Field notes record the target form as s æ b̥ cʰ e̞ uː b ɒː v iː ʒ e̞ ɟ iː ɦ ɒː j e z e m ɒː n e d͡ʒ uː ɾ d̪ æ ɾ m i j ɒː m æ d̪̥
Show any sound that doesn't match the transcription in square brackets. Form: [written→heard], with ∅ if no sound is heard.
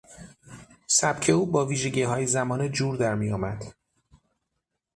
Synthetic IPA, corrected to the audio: s æ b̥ cʰ e̞ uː b ɒː v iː ʒ e̞ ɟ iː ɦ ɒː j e z [e→æ] m ɒː n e d͡ʒ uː ɾ d̪ æ ɾ m i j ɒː m æ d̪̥